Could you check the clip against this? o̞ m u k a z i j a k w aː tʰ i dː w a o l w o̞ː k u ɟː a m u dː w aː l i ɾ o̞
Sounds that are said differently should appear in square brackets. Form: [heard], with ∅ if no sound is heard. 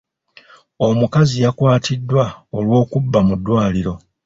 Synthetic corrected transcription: o̞ m u k a z i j a k w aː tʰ i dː w a o l w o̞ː k u [bː] a m u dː w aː l i ɾ o̞